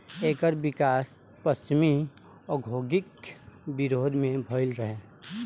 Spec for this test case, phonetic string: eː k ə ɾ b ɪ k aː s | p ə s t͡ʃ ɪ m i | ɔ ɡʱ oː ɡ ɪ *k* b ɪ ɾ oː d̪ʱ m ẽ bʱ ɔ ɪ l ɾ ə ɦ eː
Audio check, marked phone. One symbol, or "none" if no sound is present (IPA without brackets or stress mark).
k